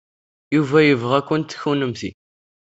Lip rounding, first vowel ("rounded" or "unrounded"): rounded